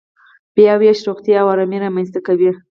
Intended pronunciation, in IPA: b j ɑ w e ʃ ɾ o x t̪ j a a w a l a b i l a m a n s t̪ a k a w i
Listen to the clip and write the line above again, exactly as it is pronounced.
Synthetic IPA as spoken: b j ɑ w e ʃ ɾ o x t̪ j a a w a ɾ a m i ɾ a m a n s t̪ a k a w i

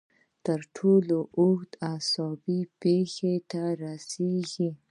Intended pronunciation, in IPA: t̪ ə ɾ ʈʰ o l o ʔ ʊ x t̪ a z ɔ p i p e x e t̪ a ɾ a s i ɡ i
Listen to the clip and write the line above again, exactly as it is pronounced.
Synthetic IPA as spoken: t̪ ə ɾ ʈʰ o l o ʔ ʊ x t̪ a s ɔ b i p e x e t̪ a ɾ a s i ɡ i

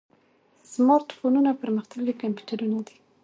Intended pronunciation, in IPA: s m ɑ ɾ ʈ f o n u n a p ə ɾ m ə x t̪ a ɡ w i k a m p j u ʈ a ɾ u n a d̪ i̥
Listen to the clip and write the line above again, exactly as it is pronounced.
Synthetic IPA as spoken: s m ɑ ɾ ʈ f o n u n a p ə ɾ m ə x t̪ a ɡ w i k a m p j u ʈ a ɾ u n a d̪ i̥

